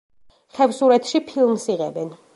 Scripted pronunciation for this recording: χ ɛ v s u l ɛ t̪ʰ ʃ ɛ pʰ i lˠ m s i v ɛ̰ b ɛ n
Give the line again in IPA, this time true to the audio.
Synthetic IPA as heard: χ ɛ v s u ɾ ɛ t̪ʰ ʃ i pʰ i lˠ m s i ʁ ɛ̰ b ɛ n